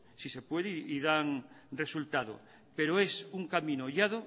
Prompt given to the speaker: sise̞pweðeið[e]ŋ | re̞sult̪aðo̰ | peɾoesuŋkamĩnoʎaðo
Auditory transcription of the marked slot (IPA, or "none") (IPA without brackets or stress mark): a